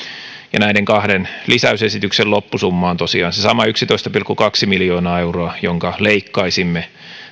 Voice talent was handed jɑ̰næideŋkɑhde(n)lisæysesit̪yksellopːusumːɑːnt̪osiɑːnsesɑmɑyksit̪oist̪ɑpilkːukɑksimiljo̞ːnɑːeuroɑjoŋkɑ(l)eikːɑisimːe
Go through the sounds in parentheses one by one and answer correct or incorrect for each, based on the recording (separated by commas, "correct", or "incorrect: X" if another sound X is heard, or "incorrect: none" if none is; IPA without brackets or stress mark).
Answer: correct, correct